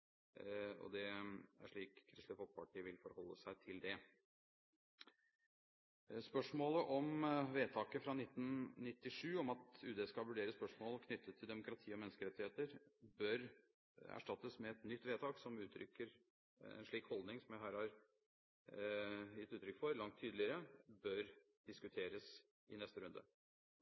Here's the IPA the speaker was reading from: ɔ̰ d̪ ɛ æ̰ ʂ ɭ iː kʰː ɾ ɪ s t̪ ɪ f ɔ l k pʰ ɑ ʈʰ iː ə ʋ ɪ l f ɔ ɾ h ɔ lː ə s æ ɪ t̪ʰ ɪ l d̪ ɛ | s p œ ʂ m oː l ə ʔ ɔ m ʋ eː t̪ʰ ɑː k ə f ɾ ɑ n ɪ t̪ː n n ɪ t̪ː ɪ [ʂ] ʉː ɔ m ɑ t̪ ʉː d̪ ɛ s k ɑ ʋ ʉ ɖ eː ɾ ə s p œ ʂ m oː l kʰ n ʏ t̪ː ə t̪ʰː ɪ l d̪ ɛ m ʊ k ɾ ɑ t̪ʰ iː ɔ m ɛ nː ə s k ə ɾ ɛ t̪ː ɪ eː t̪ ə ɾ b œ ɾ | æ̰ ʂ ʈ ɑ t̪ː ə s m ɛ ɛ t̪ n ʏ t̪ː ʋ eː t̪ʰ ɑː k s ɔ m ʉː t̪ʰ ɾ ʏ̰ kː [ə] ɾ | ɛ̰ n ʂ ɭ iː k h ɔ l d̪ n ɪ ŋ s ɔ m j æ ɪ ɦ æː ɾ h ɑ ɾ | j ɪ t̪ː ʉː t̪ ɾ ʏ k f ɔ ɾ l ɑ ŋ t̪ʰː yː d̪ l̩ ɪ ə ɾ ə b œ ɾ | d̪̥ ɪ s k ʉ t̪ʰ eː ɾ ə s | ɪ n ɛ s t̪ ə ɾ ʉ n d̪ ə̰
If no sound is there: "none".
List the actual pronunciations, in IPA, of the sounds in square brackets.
ʂ, ə

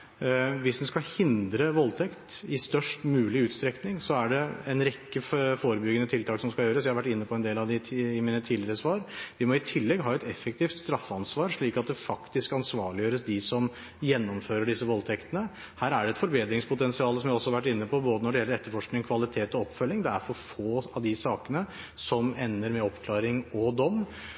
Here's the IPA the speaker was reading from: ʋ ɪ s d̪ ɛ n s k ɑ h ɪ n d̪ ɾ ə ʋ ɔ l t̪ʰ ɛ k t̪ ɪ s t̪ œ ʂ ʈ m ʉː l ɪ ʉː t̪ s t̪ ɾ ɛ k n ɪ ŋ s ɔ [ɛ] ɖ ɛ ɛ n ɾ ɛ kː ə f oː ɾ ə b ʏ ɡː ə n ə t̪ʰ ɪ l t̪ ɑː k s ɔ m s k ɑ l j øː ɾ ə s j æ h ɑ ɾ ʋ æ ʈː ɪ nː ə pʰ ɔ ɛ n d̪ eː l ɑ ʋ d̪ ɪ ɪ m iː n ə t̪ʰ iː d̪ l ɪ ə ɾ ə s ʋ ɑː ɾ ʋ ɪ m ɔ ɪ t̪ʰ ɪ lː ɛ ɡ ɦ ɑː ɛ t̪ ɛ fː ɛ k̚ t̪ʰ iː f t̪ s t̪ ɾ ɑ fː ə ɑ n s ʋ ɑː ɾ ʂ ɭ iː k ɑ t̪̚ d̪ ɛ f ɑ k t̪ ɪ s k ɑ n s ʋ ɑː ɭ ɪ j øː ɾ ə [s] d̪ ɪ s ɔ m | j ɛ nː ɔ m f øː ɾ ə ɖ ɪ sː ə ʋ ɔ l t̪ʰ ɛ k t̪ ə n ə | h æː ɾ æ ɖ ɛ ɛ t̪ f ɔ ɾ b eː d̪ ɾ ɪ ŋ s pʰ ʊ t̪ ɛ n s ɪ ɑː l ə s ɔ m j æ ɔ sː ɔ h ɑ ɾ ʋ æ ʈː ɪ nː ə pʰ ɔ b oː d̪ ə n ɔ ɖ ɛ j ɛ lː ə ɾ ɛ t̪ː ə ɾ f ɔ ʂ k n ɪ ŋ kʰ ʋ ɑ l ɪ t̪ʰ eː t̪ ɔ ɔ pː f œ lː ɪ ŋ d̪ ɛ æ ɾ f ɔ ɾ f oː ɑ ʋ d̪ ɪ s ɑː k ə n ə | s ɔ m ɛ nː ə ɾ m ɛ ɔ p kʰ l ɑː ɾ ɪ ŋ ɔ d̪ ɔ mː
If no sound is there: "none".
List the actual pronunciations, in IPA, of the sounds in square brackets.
æ, s

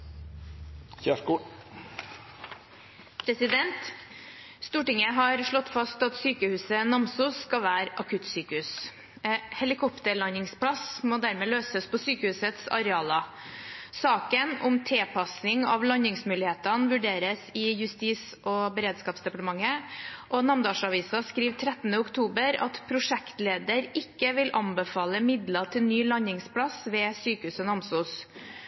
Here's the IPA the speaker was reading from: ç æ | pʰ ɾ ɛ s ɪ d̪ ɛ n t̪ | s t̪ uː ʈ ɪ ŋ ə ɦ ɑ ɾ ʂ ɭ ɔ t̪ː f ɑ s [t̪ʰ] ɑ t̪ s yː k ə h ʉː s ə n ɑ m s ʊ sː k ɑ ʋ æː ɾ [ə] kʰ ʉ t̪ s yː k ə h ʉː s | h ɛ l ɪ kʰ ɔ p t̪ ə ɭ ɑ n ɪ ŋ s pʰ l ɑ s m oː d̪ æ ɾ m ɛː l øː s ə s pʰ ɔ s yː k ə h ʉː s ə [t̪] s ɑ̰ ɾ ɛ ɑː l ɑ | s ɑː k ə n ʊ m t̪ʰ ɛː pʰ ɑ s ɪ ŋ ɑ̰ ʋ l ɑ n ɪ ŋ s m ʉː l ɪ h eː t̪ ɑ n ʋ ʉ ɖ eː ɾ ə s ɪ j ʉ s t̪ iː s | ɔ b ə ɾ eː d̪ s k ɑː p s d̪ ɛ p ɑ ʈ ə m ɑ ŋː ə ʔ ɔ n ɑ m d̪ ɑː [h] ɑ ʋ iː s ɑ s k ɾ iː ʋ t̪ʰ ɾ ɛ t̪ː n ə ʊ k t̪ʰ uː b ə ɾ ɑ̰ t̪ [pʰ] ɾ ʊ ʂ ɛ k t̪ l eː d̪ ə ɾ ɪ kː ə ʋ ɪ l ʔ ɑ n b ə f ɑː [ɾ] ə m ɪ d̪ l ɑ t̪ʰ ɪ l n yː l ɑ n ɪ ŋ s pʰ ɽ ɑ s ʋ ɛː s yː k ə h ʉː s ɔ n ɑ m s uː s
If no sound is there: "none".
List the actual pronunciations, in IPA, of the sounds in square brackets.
t̪, ɑ, t̪, ʂ, pʰ, l

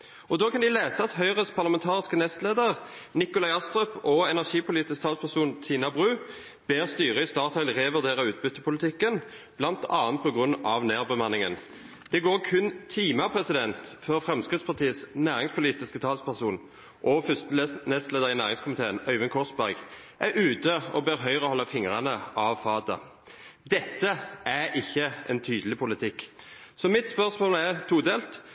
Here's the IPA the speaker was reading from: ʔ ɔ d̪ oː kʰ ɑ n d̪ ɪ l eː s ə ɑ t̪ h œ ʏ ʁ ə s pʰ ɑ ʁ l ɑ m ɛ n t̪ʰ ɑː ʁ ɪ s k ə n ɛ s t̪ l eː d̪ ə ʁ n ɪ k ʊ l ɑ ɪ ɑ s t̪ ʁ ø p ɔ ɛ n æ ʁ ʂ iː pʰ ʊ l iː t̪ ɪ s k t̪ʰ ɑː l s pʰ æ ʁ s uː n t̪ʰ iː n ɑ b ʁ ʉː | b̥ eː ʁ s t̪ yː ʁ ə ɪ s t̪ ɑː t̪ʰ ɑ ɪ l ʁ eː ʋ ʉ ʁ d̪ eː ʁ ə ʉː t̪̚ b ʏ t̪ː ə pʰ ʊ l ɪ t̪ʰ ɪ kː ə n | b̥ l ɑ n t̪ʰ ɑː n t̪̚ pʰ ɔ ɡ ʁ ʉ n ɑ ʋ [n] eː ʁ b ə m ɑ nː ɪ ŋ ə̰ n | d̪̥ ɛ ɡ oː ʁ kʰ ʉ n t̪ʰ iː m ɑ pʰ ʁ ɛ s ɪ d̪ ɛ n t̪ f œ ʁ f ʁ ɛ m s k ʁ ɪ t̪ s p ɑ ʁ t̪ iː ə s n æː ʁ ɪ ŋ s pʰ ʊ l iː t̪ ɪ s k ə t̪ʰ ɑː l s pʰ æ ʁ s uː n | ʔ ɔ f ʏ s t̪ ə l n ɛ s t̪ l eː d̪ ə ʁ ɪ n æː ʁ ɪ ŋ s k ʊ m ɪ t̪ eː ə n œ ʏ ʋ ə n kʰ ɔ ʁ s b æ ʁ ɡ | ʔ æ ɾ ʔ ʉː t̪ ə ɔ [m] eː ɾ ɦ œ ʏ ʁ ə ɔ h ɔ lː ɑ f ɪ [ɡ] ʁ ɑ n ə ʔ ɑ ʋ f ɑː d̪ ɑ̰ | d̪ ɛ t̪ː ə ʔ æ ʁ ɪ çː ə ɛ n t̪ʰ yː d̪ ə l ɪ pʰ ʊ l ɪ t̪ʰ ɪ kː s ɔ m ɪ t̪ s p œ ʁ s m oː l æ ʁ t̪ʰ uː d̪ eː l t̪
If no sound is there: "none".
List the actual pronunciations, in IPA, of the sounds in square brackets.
n, b, ŋ

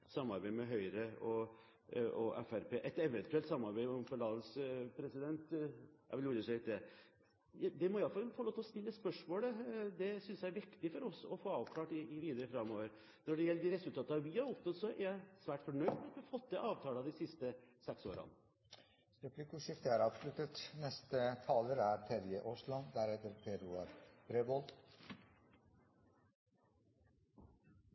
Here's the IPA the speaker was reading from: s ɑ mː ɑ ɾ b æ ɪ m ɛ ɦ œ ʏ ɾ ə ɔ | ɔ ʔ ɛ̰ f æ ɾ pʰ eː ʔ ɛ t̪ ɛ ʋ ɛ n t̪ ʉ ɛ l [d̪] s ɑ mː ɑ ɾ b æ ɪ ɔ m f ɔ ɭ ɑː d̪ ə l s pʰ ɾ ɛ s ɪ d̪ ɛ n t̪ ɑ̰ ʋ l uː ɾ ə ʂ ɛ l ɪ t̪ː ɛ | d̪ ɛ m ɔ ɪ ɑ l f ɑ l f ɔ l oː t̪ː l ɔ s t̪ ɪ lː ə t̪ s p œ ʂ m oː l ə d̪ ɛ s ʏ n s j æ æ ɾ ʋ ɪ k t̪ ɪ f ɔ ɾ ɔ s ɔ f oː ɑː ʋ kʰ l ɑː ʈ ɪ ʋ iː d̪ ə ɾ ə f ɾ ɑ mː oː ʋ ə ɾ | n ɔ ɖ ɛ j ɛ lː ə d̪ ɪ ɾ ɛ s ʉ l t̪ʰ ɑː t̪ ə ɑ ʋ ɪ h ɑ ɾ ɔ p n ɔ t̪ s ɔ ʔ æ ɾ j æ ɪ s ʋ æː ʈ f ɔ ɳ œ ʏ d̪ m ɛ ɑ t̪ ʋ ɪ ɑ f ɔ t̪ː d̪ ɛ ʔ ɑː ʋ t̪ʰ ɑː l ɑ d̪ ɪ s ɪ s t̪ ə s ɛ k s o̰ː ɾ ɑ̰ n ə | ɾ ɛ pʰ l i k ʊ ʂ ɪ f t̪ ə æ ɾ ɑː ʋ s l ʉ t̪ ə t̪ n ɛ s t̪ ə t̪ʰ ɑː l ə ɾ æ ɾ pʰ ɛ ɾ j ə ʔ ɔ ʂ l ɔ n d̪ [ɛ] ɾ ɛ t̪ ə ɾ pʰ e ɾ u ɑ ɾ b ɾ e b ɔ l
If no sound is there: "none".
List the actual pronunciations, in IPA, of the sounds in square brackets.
t̪, æ

